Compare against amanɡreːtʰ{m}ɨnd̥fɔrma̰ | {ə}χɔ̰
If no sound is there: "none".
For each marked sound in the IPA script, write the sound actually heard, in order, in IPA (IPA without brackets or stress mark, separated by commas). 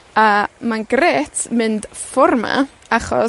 m, a